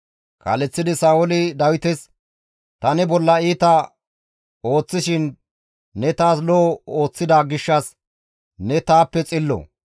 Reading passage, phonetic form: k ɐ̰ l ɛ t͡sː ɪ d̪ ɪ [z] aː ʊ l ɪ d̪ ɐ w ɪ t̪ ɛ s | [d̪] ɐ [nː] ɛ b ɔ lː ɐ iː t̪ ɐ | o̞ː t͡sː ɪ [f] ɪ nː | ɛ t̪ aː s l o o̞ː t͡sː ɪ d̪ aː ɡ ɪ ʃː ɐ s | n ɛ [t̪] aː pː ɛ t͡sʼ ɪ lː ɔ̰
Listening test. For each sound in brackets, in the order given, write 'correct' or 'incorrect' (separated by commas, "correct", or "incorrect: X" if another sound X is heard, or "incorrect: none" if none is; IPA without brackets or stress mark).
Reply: incorrect: s, incorrect: t̪, incorrect: n, incorrect: ʃ, correct